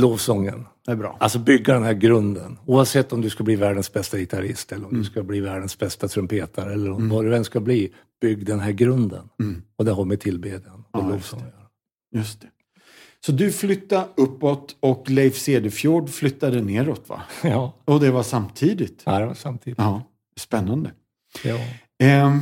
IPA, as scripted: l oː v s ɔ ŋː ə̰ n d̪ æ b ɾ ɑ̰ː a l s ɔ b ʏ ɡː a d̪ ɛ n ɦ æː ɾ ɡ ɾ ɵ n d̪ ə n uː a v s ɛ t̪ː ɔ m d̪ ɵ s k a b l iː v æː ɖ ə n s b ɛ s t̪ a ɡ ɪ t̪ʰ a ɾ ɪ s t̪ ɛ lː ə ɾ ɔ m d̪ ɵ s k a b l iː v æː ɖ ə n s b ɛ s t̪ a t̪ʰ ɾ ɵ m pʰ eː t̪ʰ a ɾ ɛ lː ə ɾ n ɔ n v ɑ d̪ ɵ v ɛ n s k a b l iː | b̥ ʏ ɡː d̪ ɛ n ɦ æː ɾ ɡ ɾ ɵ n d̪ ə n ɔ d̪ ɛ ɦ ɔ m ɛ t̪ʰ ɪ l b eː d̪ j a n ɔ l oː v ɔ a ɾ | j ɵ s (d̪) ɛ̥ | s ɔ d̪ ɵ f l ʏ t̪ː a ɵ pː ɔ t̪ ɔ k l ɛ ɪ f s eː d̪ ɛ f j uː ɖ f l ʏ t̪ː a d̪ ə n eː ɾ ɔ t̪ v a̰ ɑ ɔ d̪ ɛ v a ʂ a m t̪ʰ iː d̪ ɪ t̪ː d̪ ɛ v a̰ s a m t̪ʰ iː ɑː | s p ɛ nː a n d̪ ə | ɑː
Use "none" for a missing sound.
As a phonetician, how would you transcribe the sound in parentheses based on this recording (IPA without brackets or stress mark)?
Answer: t̪